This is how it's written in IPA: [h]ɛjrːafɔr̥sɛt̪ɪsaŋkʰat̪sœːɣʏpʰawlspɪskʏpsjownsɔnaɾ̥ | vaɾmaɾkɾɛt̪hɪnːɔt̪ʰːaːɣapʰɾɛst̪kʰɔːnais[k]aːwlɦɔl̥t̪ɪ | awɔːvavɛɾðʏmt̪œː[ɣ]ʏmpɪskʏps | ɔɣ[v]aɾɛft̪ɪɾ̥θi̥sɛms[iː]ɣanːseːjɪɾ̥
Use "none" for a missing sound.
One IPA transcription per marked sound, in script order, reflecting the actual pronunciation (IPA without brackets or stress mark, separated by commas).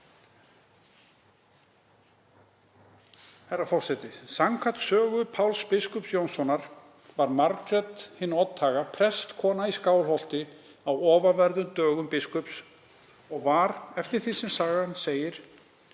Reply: h, k, ɣ, v, aː